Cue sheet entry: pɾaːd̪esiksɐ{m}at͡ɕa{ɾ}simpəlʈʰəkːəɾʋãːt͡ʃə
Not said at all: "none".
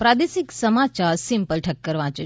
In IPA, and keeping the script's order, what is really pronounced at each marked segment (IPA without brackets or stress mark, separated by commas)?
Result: m, ɾ